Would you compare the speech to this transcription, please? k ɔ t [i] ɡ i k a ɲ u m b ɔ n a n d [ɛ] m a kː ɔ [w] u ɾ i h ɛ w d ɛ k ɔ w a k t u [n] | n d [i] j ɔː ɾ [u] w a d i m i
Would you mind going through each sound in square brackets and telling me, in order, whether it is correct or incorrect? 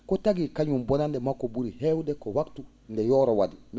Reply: incorrect: a, correct, incorrect: b, incorrect: none, incorrect: ɛ, incorrect: ɔ

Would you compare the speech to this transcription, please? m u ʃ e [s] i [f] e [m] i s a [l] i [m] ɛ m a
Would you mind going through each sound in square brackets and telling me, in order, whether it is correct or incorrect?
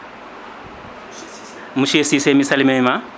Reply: correct, incorrect: s, correct, correct, correct

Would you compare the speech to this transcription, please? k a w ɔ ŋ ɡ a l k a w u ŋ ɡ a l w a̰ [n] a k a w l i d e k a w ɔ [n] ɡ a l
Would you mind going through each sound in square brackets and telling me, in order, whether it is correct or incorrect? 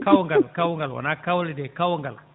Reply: correct, incorrect: ŋ

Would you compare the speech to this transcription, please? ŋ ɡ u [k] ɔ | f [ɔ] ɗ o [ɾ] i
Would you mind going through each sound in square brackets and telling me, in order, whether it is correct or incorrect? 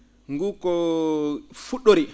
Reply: correct, incorrect: u, correct

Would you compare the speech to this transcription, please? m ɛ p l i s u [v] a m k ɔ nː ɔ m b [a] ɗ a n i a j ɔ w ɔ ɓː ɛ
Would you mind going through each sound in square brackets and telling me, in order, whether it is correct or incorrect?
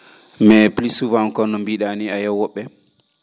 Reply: correct, incorrect: i

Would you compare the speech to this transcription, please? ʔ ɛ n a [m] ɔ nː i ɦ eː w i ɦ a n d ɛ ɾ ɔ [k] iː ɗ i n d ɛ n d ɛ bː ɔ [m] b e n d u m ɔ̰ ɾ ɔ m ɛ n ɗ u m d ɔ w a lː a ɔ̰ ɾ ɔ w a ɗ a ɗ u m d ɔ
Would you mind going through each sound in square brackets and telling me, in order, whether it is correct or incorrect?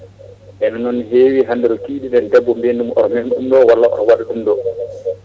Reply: incorrect: n, correct, correct

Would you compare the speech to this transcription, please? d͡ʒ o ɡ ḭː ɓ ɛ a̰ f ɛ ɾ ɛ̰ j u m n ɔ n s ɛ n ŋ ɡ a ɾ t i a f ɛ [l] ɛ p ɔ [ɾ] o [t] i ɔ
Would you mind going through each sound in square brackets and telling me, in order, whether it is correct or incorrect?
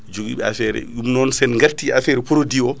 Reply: incorrect: ɾ, correct, incorrect: d

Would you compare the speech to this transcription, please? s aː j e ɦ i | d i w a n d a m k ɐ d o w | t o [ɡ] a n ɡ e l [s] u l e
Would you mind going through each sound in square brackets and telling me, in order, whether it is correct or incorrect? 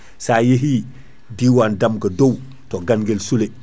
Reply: correct, correct

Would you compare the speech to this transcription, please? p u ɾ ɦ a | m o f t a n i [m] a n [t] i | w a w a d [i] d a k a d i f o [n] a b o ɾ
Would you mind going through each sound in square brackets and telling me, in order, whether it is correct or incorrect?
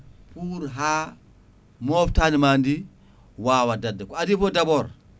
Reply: correct, incorrect: d, incorrect: a, incorrect: d

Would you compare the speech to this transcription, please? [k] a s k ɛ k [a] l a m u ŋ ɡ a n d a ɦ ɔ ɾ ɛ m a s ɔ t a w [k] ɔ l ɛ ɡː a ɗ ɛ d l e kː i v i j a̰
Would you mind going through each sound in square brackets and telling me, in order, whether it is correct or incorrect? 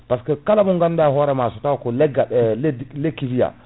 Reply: incorrect: p, correct, correct

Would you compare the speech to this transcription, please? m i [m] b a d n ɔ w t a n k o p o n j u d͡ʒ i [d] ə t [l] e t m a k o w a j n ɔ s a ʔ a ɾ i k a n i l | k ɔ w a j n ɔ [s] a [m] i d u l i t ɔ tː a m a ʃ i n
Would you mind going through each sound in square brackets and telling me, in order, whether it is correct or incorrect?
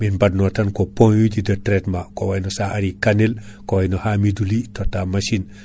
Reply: incorrect: n, correct, incorrect: ɾ, incorrect: h, correct

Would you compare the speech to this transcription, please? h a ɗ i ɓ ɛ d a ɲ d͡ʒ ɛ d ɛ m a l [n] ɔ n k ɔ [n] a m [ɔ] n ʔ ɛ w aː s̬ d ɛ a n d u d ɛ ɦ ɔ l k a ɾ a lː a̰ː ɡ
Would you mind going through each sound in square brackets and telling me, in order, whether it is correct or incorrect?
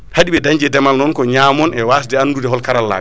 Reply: correct, incorrect: ɲ, correct

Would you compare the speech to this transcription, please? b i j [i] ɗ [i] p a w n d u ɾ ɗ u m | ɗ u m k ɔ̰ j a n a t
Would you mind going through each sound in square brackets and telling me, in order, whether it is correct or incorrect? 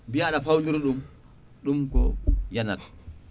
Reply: incorrect: a, incorrect: a

